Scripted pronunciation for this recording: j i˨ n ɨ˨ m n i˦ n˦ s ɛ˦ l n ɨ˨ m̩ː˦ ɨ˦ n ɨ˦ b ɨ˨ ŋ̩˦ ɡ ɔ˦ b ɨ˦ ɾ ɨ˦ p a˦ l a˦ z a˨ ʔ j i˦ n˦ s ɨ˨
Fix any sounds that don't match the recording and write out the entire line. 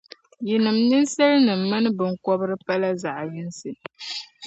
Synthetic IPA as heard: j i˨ n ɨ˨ m n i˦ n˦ s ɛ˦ l n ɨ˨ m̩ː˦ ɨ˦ n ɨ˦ b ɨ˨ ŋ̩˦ k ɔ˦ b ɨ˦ ɾ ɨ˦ p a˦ l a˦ z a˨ ʔ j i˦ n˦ s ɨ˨